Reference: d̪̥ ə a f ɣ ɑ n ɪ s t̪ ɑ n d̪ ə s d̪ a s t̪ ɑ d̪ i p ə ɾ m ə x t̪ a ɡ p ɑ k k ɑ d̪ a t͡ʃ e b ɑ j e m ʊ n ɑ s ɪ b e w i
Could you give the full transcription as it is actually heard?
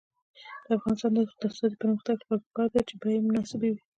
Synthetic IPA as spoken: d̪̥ ə a f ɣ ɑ n ɪ s t̪ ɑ n d̪ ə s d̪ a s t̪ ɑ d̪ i p ə ɾ m ə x t̪ a ɡ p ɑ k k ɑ d̪ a t͡ʃ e b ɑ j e m ʊ n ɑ s ɪ b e w i